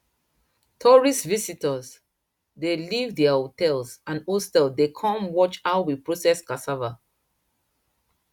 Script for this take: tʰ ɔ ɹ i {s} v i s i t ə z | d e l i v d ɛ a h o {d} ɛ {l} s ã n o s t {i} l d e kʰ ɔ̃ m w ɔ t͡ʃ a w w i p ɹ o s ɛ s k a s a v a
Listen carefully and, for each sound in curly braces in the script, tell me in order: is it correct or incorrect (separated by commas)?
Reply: correct, incorrect, correct, incorrect